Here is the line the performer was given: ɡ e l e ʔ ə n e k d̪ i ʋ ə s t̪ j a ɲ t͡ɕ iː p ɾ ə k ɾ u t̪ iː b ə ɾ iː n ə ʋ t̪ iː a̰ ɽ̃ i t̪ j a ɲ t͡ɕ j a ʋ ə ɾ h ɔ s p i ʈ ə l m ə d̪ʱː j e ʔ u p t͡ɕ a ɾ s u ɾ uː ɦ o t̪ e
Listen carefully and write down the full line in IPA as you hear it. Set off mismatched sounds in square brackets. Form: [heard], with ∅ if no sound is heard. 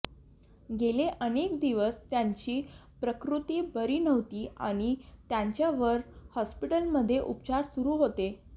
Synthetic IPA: ɡ e l e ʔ ə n e k d̪ i ʋ ə s t̪ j a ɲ t͡ɕ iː p ɾ ə k ɾ u t̪ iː b ə ɾ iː n ə ʋ t̪ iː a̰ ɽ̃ i t̪ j a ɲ t͡ɕ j a ʋ ə ɾ h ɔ s p i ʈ ə l m ə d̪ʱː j e ʔ u p t͡ɕ a ɾ s u ɾ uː ɦ o t̪ e